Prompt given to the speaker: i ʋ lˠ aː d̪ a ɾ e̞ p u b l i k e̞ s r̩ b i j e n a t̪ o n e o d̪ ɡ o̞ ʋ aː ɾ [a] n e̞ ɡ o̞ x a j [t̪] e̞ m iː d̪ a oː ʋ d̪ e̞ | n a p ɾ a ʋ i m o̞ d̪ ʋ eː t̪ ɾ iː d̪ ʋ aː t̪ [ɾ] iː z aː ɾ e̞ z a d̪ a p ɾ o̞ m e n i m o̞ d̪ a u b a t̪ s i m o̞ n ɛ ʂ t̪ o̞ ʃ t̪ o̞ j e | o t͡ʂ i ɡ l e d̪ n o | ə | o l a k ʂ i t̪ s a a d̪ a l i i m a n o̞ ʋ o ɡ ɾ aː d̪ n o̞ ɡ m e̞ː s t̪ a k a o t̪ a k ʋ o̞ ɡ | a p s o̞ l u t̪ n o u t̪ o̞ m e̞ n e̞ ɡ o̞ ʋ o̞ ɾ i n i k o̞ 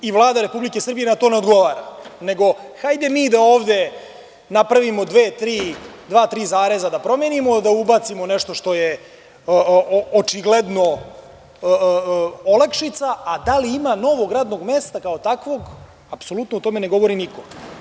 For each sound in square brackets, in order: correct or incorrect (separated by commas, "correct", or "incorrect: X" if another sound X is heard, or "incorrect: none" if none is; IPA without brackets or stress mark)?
correct, incorrect: d̪, correct